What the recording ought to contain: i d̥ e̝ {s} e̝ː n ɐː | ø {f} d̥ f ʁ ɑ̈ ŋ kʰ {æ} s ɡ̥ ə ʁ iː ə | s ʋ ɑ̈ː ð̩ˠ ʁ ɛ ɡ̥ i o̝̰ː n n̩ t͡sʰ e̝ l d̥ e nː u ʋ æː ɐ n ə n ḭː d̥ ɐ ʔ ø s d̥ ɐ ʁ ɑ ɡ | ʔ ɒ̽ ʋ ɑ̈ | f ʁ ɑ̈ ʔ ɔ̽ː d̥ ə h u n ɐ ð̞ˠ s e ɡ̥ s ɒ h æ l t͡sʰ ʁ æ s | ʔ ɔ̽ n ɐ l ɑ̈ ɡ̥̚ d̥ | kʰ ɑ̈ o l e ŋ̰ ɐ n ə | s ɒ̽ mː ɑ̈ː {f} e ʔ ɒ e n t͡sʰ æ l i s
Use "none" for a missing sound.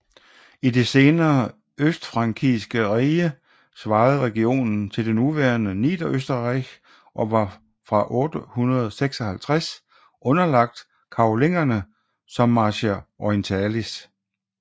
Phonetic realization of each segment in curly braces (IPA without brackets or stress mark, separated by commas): s, s, i, ɕ